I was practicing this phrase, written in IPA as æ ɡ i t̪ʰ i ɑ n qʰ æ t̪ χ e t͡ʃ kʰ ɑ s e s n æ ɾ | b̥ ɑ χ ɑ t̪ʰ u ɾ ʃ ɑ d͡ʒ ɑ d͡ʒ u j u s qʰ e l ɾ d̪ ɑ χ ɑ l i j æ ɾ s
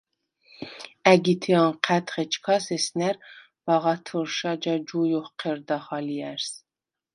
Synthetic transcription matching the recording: æ ɡ i t̪ʰ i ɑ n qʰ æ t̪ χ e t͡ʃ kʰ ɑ s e s n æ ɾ | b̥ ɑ ʁ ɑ t̪ʰ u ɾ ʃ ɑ d͡ʒ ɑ d͡ʒ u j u χ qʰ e ɾ d̪ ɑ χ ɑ l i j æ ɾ s